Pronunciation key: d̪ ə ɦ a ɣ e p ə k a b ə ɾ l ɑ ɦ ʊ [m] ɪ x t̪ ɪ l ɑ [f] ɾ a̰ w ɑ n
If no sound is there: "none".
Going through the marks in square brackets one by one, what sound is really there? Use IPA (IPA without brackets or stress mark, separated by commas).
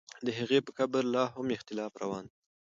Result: m, f